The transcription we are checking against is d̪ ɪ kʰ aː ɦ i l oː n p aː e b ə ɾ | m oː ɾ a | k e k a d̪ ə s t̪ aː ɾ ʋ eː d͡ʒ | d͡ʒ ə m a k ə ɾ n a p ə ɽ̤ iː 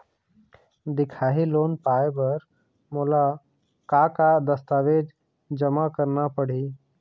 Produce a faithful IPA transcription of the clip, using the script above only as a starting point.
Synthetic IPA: d̪ ɪ kʰ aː ɦ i l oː n p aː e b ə ɾ | m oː l a | k a k a d̪ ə s t̪ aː ʋ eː d͡ʒ | d͡ʒ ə m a k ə ɾ n a p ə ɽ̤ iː